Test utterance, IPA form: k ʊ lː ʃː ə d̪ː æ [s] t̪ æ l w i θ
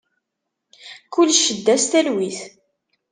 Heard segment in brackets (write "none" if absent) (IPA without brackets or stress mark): s